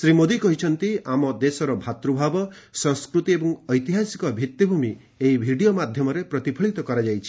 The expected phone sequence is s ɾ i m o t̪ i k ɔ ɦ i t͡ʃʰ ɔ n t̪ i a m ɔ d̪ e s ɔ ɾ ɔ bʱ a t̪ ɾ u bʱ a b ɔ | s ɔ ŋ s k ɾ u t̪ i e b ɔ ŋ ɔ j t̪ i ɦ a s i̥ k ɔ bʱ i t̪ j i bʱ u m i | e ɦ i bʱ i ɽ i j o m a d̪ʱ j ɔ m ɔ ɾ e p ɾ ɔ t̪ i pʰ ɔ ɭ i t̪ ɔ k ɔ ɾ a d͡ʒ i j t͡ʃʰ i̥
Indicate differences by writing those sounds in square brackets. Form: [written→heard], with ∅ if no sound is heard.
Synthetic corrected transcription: s ɾ i m o [t̪→d̪] i k ɔ ɦ i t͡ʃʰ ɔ n t̪ i a m ɔ d̪ e s ɔ ɾ ɔ bʱ a t̪ ɾ u bʱ a b ɔ | s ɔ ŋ s k ɾ u t̪ i e b ɔ ŋ ɔ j t̪ i ɦ a s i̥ k ɔ bʱ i t̪ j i bʱ u m i | e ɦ i bʱ i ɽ i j o m a d̪ʱ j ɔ m ɔ ɾ e p ɾ ɔ t̪ i pʰ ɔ ɭ i t̪ ɔ k ɔ ɾ a d͡ʒ [i→a] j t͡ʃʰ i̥